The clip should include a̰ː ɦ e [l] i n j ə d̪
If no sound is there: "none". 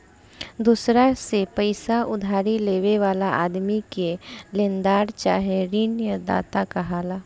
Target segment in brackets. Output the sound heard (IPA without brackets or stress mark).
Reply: ɾ